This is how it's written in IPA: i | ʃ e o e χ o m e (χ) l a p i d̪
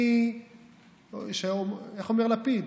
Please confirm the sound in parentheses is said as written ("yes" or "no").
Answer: no